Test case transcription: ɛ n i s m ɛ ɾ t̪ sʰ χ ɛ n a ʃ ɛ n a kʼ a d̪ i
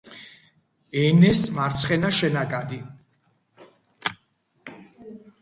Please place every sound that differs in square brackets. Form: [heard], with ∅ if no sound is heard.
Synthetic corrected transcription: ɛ n [ɛ] s m [a] ɾ t̪ sʰ χ ɛ n a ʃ ɛ n a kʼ a d̪ i